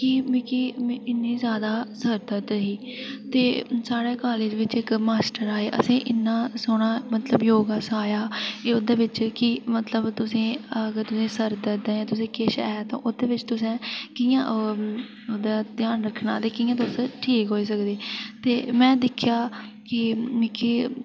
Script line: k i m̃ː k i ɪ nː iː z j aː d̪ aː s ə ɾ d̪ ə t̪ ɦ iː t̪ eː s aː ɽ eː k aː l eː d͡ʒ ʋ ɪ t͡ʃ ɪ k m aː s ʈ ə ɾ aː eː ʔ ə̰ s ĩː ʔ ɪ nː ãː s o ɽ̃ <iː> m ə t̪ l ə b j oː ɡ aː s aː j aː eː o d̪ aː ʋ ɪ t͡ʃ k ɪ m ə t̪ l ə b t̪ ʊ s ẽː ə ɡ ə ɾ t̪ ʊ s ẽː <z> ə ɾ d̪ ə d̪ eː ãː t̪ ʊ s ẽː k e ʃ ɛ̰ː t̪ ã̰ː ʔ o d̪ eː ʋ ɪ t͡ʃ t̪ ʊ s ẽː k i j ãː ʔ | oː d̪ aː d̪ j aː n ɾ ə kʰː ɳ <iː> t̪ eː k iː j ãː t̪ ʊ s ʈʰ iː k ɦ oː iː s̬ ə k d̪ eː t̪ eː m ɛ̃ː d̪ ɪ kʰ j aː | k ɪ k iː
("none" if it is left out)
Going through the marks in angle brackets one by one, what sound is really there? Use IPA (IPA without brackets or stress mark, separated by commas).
aː, s, aː